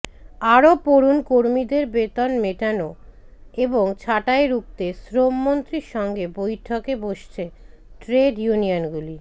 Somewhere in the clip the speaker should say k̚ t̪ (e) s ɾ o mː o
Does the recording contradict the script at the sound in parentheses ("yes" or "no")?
no